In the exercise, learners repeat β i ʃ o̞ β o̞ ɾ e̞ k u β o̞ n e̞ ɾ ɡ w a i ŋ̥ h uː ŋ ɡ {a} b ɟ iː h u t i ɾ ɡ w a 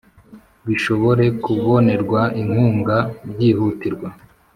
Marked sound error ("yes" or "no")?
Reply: no